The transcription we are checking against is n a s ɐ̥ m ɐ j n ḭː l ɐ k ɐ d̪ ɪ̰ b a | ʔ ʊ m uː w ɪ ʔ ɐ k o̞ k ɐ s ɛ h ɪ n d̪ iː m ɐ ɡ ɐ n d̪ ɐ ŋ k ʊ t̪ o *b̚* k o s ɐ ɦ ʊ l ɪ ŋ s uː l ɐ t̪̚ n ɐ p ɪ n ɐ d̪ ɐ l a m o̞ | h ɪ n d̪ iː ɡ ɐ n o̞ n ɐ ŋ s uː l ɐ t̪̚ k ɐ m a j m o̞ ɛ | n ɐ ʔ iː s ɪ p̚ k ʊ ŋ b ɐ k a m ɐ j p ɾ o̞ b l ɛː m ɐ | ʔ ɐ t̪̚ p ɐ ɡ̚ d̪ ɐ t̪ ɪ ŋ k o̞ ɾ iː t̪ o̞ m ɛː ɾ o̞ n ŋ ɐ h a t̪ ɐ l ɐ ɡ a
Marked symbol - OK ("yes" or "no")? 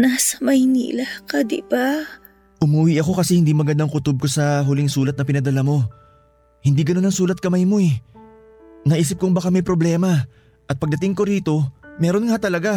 yes